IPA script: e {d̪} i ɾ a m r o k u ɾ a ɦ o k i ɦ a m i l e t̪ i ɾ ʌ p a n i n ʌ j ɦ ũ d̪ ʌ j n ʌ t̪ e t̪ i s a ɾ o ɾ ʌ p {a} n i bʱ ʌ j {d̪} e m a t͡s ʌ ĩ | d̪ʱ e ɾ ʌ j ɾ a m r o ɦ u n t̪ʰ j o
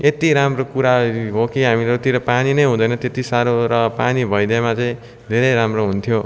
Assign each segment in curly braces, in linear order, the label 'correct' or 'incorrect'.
incorrect: t̪, correct, correct

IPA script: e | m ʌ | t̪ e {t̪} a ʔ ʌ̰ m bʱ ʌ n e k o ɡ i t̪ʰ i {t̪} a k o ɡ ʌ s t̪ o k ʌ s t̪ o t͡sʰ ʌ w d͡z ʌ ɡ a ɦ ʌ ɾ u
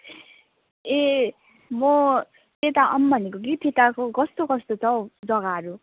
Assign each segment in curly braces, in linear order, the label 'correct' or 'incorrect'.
correct, correct

